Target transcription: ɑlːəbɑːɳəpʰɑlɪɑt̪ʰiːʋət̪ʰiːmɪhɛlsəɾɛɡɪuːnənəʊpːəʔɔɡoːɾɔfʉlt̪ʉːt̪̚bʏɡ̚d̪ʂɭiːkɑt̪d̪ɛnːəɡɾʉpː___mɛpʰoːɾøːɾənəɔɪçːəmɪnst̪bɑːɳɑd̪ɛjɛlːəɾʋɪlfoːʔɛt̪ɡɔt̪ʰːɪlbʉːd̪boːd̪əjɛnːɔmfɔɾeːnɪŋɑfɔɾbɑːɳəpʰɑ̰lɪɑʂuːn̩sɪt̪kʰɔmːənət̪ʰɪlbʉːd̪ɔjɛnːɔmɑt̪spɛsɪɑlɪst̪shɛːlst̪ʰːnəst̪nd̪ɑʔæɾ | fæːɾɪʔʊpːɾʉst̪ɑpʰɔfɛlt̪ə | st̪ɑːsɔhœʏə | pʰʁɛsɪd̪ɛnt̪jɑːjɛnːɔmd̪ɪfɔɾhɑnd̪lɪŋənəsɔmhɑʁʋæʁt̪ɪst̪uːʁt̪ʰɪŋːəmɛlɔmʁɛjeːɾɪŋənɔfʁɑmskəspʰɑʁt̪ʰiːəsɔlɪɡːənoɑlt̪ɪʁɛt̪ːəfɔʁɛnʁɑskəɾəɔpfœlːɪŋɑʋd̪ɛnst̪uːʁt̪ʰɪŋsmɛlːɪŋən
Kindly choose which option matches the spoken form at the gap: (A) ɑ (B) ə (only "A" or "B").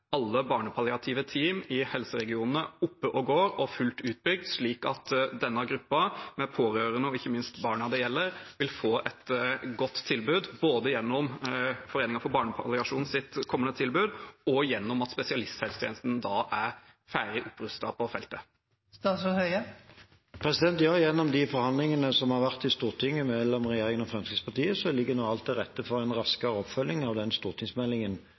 A